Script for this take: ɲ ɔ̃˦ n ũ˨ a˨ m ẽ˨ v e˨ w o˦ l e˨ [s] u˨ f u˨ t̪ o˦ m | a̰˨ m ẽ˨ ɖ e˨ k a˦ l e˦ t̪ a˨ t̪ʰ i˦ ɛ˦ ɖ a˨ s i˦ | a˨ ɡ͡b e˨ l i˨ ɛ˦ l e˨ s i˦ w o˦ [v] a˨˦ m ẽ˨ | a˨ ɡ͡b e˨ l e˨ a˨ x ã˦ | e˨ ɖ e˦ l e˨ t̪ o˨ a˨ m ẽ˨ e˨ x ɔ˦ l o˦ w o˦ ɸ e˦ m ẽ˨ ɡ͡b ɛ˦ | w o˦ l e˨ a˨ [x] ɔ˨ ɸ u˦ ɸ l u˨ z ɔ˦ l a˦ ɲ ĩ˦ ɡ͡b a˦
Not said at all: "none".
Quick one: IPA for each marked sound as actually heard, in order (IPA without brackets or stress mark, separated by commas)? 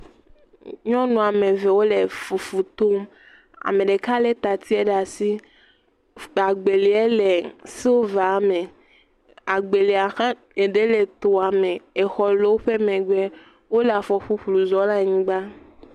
f, v, f